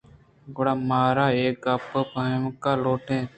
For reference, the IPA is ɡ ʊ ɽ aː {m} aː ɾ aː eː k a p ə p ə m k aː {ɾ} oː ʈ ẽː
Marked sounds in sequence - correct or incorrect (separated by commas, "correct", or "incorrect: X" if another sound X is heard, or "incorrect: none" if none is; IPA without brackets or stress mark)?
correct, incorrect: l